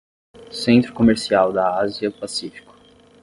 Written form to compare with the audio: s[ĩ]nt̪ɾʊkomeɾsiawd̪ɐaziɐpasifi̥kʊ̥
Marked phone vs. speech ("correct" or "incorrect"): incorrect